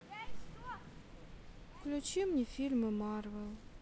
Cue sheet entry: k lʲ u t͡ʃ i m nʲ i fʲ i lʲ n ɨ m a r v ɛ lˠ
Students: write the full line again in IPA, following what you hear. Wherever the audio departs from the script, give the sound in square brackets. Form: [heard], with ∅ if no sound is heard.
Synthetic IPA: k lʲ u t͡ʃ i m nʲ i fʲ i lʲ [m] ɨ m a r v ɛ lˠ

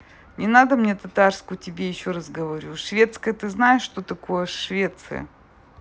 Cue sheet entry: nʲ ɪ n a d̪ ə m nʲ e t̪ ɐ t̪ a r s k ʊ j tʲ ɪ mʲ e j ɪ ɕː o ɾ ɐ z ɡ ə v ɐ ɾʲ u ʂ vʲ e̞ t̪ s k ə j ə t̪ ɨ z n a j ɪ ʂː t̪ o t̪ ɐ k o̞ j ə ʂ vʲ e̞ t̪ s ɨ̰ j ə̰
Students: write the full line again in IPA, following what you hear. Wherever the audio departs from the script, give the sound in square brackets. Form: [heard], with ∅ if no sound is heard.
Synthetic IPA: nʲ ɪ n a d̪ ə m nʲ e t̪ ɐ t̪ a r s k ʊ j tʲ ɪ [bʲ] e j ɪ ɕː o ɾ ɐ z ɡ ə v ɐ ɾʲ u ʂ vʲ e̞ t̪ s k ə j ə t̪ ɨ z n a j ɪ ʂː t̪ o t̪ ɐ k o̞ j ə ʂ vʲ e̞ t̪ s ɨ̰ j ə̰

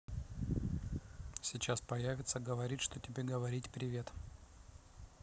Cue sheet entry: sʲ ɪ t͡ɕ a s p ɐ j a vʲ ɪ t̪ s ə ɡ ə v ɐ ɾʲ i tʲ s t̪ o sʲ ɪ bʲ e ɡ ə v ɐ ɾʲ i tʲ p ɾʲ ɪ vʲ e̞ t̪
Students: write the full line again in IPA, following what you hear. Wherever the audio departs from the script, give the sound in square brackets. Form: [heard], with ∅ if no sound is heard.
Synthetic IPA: sʲ ɪ t͡ɕ a s p ɐ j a vʲ ɪ t̪ s ə ɡ ə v ɐ ɾʲ i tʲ [ʂ] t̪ o [tʲ] ɪ bʲ e ɡ ə v ɐ ɾʲ i tʲ p ɾʲ ɪ vʲ e̞ t̪

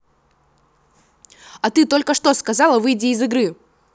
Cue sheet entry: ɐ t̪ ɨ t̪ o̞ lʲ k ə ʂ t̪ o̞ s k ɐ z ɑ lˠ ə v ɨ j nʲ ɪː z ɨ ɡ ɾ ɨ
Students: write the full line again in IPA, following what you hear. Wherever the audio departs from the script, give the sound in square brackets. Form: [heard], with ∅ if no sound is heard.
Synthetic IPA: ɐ t̪ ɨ t̪ o̞ lʲ k ə ʂ t̪ o̞ s k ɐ z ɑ lˠ ə v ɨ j [dʲ] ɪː z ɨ ɡ ɾ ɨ

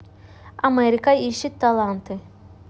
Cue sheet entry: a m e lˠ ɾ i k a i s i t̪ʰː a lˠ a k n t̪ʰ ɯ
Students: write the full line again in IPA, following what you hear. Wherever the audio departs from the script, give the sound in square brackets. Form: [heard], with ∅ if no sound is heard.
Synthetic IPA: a m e [∅] ɾ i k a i [ʃ] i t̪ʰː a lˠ a [∅] n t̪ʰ ɯ

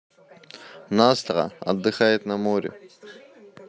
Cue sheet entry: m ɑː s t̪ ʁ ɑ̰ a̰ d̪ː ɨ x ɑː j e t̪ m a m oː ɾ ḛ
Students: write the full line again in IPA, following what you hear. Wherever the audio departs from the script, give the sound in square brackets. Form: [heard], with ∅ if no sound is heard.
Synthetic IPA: [n] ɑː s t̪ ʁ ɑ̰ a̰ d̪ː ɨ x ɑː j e t̪ [n] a m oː ɾ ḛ

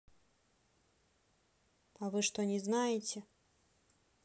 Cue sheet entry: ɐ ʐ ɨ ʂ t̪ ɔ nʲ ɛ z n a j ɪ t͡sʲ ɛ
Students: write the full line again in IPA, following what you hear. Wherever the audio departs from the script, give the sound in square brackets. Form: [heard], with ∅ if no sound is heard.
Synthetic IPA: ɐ [v] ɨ ʂ t̪ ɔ nʲ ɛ z n a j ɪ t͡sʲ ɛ

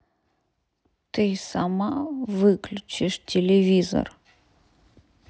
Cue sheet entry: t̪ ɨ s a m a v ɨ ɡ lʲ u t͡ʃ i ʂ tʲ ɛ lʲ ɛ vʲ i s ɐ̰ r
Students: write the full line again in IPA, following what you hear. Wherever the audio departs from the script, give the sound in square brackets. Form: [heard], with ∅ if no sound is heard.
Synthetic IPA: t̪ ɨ s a m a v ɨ [k] lʲ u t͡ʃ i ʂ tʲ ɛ lʲ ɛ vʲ i [z] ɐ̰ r

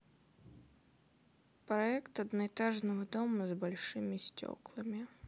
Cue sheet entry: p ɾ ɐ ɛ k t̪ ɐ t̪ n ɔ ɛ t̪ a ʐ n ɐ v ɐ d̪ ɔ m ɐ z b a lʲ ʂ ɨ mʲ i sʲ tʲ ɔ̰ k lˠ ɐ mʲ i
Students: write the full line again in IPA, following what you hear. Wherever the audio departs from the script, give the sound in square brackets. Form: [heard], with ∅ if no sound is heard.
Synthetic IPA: p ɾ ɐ ɛ k t̪ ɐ [d̪] n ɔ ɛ t̪ a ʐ n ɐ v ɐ d̪ ɔ m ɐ z b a lʲ ʂ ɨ mʲ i sʲ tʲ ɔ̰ k lˠ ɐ mʲ i

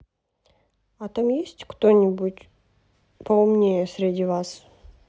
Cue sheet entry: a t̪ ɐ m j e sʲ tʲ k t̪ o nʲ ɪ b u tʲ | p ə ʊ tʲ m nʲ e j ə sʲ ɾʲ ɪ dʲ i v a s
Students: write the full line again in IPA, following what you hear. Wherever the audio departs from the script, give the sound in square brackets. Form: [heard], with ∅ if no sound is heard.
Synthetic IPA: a t̪ [a] m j e sʲ tʲ k t̪ o nʲ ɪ b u tʲ | p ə ʊ [∅] m nʲ e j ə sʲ ɾʲ ɪ dʲ i v a s

